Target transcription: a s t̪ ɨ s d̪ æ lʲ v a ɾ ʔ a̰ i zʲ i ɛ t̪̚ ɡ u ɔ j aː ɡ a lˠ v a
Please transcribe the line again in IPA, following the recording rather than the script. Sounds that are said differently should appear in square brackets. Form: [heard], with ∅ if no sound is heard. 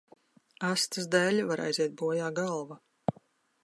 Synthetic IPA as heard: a s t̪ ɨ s d̪ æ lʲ v a ɾ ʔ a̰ [j] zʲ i ɛ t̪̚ [b] u ɔ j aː ɡ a lˠ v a